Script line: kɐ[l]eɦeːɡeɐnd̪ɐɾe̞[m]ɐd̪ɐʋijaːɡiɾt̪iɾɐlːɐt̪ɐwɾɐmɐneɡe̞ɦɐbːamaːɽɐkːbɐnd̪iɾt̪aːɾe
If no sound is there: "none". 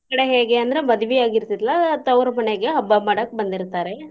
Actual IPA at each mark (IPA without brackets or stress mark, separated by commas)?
ɽ, m